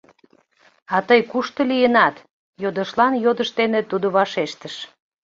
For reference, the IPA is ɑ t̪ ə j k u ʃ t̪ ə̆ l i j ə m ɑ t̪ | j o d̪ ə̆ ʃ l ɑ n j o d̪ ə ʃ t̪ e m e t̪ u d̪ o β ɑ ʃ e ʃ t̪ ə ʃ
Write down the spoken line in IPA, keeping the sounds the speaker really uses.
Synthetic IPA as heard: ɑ t̪ ə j k u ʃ t̪ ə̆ l i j ə n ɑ t̪ | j o d̪ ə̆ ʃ l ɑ n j o d̪ ə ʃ t̪ e n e t̪ u d̪ o β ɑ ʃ e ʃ t̪ ə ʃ